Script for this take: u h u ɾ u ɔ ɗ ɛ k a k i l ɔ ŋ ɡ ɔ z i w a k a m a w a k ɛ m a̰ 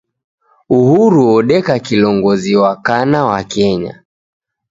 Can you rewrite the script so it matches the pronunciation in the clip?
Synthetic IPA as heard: u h u ɾ u ɔ ɗ ɛ k a k i l ɔ ŋ ɡ ɔ z i w a k a n a w a k ɛ ɲ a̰